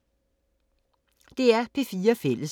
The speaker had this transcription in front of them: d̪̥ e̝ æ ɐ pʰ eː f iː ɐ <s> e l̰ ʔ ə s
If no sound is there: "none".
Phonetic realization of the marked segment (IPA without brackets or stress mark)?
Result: f